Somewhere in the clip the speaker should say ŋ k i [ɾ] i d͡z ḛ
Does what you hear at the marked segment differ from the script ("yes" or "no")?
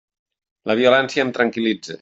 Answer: yes